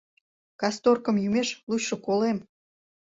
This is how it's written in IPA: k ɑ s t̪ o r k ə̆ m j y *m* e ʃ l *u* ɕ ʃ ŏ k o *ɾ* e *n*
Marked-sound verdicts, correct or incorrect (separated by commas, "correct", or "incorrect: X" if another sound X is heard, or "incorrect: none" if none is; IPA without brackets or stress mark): correct, correct, incorrect: l, incorrect: m